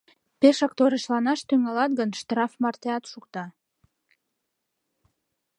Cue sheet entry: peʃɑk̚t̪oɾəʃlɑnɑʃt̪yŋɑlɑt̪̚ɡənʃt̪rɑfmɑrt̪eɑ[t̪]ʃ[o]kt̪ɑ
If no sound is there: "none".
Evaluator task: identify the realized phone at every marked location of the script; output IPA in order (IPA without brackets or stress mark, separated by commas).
t̪, u